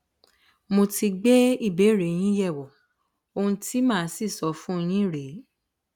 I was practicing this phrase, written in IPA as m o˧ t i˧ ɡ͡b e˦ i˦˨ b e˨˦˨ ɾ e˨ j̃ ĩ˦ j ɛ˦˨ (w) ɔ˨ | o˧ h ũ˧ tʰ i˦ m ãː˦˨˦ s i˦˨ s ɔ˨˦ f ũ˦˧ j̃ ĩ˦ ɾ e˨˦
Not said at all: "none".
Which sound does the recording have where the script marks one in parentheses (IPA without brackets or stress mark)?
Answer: w